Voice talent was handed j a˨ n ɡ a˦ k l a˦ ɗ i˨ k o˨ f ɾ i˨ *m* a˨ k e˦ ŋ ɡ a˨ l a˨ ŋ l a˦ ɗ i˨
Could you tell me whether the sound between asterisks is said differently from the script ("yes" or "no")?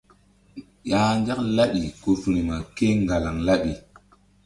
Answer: no